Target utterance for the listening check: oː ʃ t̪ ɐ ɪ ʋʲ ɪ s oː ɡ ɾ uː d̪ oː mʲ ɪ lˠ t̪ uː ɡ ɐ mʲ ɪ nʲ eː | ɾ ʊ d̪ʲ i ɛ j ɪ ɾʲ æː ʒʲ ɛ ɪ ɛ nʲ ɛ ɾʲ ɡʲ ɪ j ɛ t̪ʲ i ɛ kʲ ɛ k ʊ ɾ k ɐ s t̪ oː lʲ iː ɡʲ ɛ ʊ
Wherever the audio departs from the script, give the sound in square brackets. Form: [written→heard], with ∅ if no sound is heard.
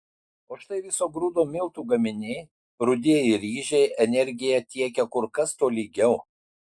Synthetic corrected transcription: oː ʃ t̪ ɐ ɪ ʋʲ ɪ s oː ɡ ɾ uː d̪ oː mʲ ɪ lˠ t̪ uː ɡ ɐ mʲ ɪ nʲ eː | ɾ ʊ d̪ʲ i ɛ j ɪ ɾʲ [æː→iː] ʒʲ ɛ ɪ ɛ nʲ ɛ ɾʲ ɡʲ ɪ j ɛ t̪ʲ i ɛ kʲ ɛ k ʊ ɾ k ɐ s t̪ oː lʲ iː ɡʲ ɛ ʊ

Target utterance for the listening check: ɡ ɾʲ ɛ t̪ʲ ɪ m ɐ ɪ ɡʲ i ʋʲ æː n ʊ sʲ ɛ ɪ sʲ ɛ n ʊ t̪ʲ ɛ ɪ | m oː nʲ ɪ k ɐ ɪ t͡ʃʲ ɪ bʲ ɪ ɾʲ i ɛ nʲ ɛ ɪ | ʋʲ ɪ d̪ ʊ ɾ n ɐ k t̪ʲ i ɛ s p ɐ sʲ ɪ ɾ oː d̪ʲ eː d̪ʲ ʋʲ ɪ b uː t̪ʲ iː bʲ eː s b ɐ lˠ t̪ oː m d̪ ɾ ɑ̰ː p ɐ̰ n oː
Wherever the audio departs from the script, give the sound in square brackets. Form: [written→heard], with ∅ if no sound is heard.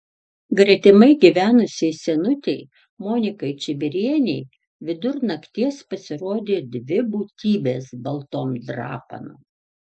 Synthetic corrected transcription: ɡ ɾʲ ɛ t̪ʲ ɪ m ɐ ɪ ɡʲ i ʋʲ æː n ʊ sʲ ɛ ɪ sʲ ɛ n ʊ t̪ʲ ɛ ɪ | m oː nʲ ɪ k ɐ ɪ t͡ʃʲ ɪ bʲ ɪ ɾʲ i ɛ nʲ ɛ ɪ | ʋʲ ɪ d̪ ʊ ɾ n ɐ k t̪ʲ i ɛ s p ɐ sʲ ɪ ɾ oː d̪ʲ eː d̪ʲ ʋʲ ɪ b uː t̪ʲ iː bʲ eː s b ɐ lˠ t̪ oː m d̪ ɾ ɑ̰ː p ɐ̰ n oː

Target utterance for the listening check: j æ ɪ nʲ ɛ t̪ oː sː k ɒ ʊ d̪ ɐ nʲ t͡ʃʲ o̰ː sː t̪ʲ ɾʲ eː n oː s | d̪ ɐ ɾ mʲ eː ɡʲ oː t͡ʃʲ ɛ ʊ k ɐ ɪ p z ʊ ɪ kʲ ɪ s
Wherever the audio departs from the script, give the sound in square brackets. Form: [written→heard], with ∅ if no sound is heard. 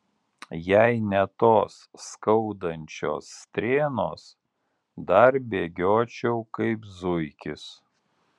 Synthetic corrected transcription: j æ ɪ nʲ ɛ t̪ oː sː k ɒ ʊ d̪ ɐ nʲ t͡ʃʲ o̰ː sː t̪ʲ ɾʲ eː n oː s | d̪ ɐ ɾ [mʲ→bʲ] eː ɡʲ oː t͡ʃʲ ɛ ʊ k ɐ ɪ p z ʊ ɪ kʲ ɪ s

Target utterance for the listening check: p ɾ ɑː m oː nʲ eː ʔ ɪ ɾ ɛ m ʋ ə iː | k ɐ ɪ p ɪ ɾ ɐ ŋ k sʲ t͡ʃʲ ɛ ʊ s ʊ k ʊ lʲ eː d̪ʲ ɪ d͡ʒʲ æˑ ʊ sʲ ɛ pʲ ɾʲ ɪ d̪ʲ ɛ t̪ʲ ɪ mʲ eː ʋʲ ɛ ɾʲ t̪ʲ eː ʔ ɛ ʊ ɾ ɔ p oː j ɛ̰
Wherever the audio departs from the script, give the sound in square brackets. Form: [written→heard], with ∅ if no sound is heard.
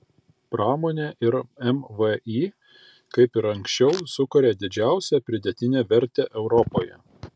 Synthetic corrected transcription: p ɾ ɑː m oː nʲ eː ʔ ɪ ɾ ɛ m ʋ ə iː | k ɐ ɪ p ɪ ɾ ɐ ŋ k sʲ t͡ʃʲ ɛ ʊ s ʊ k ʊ [lʲ→ɾʲ] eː d̪ʲ ɪ d͡ʒʲ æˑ ʊ sʲ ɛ pʲ ɾʲ ɪ d̪ʲ ɛ t̪ʲ ɪ [mʲ→nʲ] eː ʋʲ ɛ ɾʲ t̪ʲ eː ʔ ɛ ʊ ɾ ɔ p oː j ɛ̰

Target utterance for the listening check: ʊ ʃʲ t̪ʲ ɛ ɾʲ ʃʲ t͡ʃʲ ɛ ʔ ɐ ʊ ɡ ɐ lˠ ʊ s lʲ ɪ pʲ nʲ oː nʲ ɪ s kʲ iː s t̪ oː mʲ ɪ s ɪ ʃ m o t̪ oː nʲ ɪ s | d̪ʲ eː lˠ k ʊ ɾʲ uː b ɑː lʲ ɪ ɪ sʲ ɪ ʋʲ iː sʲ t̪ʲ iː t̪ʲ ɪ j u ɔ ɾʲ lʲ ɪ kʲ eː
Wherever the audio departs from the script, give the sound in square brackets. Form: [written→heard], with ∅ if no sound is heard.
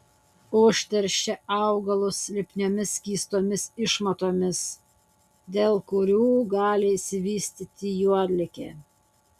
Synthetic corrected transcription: ʊ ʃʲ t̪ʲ ɛ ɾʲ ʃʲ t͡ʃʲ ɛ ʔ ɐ ʊ ɡ ɐ lˠ ʊ s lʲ ɪ pʲ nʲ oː [nʲ→mʲ] ɪ s kʲ iː s t̪ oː mʲ ɪ s ɪ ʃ m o t̪ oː [nʲ→mʲ] ɪ s | d̪ʲ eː lˠ k ʊ ɾʲ uː [b→ɡ] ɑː lʲ ɪ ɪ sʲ ɪ ʋʲ iː sʲ t̪ʲ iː t̪ʲ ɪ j u ɔ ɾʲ lʲ ɪ kʲ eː

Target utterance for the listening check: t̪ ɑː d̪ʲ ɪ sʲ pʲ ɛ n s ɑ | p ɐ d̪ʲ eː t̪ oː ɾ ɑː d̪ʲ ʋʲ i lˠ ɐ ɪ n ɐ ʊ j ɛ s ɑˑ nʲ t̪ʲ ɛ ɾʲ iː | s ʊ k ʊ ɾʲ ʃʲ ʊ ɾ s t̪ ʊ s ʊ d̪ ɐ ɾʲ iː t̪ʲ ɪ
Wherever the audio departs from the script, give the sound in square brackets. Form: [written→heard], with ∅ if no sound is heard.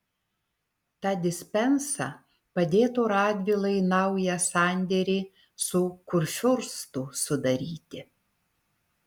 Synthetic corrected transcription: t̪ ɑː d̪ʲ ɪ sʲ pʲ ɛ n s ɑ | p ɐ d̪ʲ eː t̪ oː ɾ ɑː d̪ʲ ʋʲ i lˠ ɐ ɪ n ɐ ʊ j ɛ s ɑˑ nʲ [t̪ʲ→d̪ʲ] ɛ ɾʲ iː | s ʊ k ʊ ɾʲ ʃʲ ʊ ɾ s t̪ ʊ s ʊ d̪ ɐ ɾʲ iː t̪ʲ ɪ

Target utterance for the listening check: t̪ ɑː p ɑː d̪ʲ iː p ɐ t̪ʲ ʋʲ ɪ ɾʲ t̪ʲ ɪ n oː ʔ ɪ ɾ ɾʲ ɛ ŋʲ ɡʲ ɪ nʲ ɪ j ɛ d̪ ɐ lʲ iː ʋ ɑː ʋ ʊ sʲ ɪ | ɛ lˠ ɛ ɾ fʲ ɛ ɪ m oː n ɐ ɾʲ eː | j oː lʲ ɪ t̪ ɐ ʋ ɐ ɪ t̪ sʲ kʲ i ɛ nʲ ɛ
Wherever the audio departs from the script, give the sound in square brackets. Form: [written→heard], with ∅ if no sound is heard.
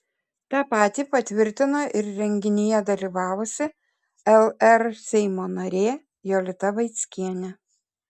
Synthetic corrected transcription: t̪ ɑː p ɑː [d̪ʲ→t̪ʲ] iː p ɐ t̪ʲ ʋʲ ɪ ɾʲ t̪ʲ ɪ n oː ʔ ɪ ɾ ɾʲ ɛ ŋʲ ɡʲ ɪ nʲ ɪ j ɛ d̪ ɐ lʲ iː ʋ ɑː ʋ ʊ sʲ ɪ | ɛ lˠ ɛ ɾ [fʲ→sʲ] ɛ ɪ m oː n ɐ ɾʲ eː | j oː lʲ ɪ t̪ ɐ ʋ ɐ ɪ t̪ sʲ kʲ i ɛ nʲ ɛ

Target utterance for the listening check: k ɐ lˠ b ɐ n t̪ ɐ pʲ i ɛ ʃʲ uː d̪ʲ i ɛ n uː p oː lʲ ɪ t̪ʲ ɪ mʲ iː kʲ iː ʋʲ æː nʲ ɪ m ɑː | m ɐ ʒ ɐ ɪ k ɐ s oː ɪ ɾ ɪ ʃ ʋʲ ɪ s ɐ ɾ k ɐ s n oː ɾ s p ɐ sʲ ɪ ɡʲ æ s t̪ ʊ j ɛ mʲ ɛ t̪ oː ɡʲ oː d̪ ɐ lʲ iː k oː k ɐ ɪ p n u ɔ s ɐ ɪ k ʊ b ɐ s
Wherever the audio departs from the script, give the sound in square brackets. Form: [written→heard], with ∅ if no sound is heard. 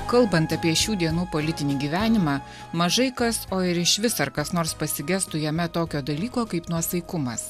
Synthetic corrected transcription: k ɐ lˠ b ɐ n t̪ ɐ pʲ i ɛ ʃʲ uː d̪ʲ i ɛ n uː p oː lʲ ɪ t̪ʲ ɪ [mʲ→nʲ] iː [kʲ→ɡʲ] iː ʋʲ æː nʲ ɪ m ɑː | m ɐ ʒ ɐ ɪ k ɐ s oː ɪ ɾ ɪ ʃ ʋʲ ɪ s ɐ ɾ k ɐ s n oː ɾ s p ɐ sʲ ɪ ɡʲ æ s t̪ ʊ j ɛ mʲ ɛ t̪ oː [ɡʲ→kʲ] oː d̪ ɐ lʲ iː k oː k ɐ ɪ p n u ɔ s ɐ ɪ k ʊ [b→m] ɐ s

